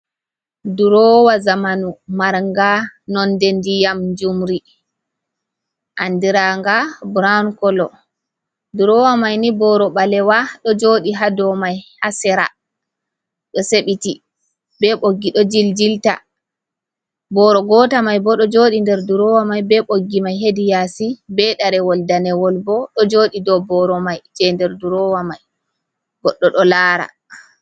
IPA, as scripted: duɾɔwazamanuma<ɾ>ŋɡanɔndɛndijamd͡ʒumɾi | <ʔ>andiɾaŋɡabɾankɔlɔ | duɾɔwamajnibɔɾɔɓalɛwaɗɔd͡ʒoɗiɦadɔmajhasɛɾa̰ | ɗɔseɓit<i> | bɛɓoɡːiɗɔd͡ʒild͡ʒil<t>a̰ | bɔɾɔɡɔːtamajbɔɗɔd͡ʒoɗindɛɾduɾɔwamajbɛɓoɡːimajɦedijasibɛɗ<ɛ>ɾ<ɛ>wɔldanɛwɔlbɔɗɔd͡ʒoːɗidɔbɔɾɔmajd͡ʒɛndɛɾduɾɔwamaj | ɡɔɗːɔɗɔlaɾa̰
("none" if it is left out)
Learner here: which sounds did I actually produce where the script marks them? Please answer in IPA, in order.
ɾ, ʔ, i, t, a, ɛ

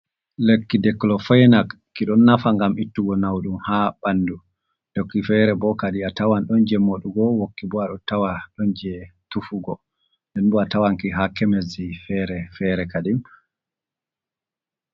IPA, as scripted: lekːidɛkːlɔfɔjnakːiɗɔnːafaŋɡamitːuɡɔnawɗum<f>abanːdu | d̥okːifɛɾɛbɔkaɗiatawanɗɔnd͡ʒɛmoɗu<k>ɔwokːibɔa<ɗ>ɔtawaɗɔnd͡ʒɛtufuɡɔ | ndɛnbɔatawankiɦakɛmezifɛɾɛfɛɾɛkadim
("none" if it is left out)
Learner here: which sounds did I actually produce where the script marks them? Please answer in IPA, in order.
h, ɡ, ɗ

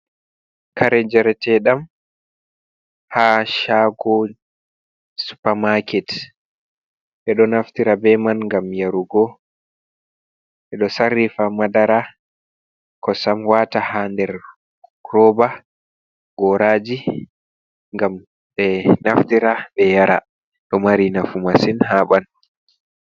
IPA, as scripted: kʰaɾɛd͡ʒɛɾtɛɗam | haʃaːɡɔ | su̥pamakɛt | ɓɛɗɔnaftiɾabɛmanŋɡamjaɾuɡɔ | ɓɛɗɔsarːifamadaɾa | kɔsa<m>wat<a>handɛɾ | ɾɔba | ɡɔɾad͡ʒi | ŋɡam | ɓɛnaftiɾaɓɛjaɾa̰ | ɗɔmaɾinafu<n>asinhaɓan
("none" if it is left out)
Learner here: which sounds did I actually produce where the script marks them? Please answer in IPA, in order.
m, a, m

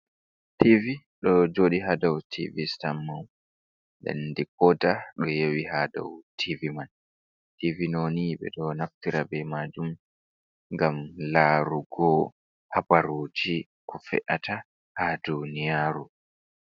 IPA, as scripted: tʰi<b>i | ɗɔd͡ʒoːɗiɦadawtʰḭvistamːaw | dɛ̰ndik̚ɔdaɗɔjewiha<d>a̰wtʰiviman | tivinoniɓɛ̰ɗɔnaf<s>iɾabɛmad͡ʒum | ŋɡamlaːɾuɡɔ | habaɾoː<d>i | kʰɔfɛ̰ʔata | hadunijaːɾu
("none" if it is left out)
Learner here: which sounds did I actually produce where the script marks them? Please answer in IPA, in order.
v, d, t, d͡ʒ

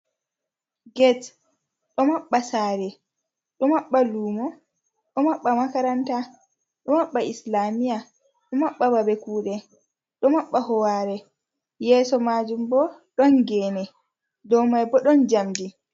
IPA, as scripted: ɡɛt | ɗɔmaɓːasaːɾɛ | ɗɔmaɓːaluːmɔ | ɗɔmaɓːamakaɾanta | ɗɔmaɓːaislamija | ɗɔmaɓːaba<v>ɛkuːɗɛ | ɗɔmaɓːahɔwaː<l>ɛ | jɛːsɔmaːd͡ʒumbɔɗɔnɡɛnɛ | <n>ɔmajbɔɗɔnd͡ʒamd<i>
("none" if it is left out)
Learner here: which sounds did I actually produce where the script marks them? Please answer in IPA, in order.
b, ɾ, d, i

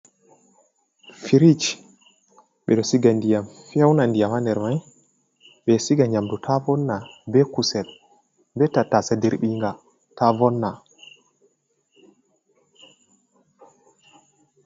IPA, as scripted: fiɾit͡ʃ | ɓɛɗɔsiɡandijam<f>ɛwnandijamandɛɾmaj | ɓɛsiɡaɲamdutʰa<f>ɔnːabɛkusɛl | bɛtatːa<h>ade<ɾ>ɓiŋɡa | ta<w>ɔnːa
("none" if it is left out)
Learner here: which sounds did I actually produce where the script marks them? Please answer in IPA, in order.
f, v, s, ɾ, v

